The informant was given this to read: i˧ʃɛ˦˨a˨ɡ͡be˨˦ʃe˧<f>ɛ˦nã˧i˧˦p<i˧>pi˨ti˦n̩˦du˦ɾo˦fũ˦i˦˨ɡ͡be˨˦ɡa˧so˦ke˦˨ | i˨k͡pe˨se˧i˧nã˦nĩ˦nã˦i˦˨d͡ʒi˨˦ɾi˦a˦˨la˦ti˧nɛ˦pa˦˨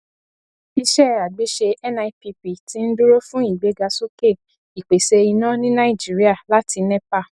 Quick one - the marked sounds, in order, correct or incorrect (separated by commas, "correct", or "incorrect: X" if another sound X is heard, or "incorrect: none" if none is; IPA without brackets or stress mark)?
incorrect: none, correct